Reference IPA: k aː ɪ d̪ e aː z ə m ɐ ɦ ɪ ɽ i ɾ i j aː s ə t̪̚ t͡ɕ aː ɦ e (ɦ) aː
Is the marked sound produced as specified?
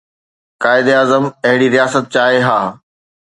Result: yes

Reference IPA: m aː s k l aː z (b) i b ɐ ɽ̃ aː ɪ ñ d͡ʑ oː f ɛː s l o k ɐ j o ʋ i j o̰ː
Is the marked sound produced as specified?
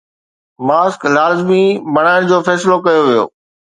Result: no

